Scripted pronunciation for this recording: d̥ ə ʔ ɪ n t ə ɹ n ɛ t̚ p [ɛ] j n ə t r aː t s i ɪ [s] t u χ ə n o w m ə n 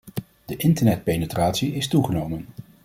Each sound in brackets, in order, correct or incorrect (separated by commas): incorrect, correct